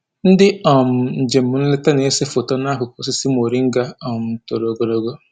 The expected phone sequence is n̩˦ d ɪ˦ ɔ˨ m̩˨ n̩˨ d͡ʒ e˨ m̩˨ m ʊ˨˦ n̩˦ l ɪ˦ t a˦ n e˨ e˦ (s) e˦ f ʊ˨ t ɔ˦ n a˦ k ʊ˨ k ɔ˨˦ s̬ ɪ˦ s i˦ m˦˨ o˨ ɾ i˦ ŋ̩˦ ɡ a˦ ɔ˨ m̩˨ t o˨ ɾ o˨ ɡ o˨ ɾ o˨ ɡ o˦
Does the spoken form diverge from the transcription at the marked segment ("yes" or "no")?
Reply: no